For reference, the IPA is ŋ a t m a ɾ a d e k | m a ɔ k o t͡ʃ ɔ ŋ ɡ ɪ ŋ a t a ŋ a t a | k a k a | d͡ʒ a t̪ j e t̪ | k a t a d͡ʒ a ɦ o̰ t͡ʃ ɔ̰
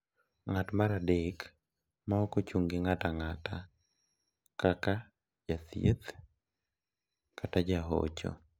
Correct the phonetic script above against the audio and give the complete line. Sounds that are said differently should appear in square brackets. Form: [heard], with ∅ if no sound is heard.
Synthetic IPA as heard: ŋ a t m a ɾ a d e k | m a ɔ k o t͡ʃ [u] ŋ ɡ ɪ ŋ a t a ŋ a t a | k a k a | d͡ʒ a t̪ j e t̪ | k a t a d͡ʒ a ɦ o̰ t͡ʃ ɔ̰

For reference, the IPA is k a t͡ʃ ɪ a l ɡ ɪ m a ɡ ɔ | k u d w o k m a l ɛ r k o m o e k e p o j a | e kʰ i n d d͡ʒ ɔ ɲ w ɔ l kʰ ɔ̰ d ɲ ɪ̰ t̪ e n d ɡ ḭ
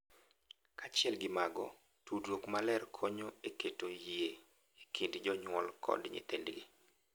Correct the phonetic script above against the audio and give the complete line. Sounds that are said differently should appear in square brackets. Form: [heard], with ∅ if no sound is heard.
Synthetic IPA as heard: k a t͡ʃ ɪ [ɛ] l ɡ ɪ m a ɡ ɔ | [t] u d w o k m a l ɛ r [kʰ] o [ɲ] o e k e [t] o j [e] | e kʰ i n d d͡ʒ ɔ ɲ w ɔ l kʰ ɔ̰ d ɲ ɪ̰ t̪ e n d ɡ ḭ

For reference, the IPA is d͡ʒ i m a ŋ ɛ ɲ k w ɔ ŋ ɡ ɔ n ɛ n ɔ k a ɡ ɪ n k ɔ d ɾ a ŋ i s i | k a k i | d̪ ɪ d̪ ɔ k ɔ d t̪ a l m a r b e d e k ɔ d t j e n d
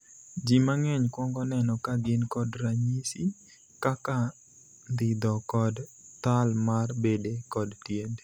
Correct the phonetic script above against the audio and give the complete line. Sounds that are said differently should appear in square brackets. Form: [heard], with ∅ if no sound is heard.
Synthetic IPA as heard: d͡ʒ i m a ŋ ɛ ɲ k w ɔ ŋ ɡ ɔ n ɛ n ɔ k a ɡ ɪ n k ɔ d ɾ a [ɲ] i s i | k a k [a] | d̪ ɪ d̪ ɔ k ɔ d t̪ a l m a r b e d e k ɔ d t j e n d

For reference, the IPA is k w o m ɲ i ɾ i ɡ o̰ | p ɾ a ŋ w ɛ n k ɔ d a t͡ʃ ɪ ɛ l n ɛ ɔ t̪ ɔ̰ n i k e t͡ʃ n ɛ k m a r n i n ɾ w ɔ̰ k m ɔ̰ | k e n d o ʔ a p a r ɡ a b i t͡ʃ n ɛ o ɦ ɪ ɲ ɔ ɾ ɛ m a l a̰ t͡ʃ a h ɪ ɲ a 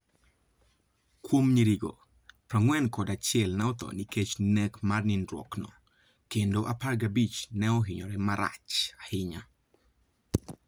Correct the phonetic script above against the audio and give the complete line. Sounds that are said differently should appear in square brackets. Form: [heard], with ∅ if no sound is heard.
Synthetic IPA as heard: k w o m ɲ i ɾ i ɡ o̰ | p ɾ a ŋ w ɛ n k ɔ d a t͡ʃ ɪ ɛ l n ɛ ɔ t̪ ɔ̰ n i k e t͡ʃ n ɛ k m a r n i n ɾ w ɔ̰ k [n] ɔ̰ | k e n d o ʔ a p a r ɡ a b i t͡ʃ n ɛ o ɦ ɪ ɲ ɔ ɾ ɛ m a [ɾ] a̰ t͡ʃ a h ɪ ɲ a

